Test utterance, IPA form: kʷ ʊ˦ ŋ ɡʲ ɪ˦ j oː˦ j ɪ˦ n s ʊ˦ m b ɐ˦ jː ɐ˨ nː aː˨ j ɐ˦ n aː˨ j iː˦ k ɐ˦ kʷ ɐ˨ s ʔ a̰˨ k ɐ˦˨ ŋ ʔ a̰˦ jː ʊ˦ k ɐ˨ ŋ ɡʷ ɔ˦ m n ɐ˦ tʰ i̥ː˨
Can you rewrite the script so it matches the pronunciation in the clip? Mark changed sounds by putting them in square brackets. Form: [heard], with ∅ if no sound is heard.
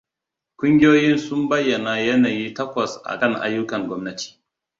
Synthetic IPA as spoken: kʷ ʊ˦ ŋ ɡʲ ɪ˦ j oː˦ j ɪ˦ n s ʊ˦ m b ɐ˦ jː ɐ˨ [n] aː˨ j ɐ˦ n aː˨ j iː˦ [t] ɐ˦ kʷ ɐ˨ s ʔ a̰˨ k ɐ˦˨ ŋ ʔ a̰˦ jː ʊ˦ k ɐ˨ ŋ ɡʷ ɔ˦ m n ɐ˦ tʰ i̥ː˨